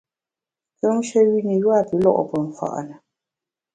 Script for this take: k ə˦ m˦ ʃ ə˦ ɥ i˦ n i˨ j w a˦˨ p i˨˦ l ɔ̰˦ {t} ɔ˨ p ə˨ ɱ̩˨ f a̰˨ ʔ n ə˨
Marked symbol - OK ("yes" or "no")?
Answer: no